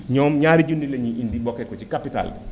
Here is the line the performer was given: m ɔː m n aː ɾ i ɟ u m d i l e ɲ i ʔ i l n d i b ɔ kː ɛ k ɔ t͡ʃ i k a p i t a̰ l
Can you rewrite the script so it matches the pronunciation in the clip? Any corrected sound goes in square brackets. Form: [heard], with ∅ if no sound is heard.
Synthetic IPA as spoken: [ɲ] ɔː m [ɲ] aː ɾ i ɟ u [n] d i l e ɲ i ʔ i [∅] n d i b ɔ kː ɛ k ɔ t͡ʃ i k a p i t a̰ l